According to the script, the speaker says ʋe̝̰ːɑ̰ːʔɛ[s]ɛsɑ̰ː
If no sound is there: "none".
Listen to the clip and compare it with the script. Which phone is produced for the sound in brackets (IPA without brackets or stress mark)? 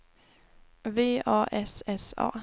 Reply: s